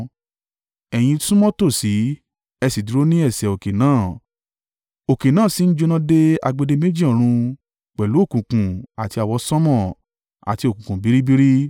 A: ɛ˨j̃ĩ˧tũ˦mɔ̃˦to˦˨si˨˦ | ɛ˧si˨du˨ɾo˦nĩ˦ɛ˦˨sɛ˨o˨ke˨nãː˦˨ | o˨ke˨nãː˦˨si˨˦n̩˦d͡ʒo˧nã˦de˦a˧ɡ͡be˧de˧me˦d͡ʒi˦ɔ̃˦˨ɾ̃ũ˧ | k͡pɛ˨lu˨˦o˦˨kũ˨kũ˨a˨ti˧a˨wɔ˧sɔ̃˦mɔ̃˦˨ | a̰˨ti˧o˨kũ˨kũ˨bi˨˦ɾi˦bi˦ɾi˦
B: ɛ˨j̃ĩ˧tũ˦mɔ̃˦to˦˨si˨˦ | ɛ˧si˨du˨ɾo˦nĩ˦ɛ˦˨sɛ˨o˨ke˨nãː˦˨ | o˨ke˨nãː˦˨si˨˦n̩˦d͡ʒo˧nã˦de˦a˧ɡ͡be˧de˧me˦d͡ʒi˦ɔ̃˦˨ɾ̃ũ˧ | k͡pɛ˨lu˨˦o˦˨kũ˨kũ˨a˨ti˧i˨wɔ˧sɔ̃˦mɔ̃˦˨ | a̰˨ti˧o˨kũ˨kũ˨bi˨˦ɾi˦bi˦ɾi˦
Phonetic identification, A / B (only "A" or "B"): A